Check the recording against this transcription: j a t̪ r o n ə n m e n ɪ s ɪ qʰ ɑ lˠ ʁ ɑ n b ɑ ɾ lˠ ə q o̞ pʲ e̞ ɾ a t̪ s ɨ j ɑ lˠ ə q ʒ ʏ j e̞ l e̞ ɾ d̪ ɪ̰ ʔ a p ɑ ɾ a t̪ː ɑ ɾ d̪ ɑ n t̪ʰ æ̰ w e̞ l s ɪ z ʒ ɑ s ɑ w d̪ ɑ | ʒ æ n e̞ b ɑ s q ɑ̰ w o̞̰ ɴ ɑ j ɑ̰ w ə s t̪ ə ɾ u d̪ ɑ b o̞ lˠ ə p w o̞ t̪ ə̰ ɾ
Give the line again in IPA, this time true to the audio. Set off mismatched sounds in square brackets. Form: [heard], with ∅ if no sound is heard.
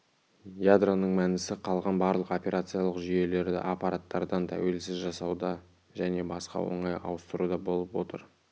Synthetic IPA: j a [d̪] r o n ə [ɴ] m [æ] n ɪ s ɪ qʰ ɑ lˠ ʁ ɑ n b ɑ ɾ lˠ ə q o̞ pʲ e̞ ɾ a t̪ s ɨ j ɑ lˠ ə q ʒ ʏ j e̞ l e̞ ɾ d̪ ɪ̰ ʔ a p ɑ ɾ a t̪ː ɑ ɾ d̪ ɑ n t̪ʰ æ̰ w e̞ l s ɪ z ʒ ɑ s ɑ w d̪ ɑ | ʒ æ n e̞ b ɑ s q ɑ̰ w o̞̰ ɴ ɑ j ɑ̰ w ə s t̪ ə ɾ u d̪ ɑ b o̞ lˠ ə p w o̞ t̪ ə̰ ɾ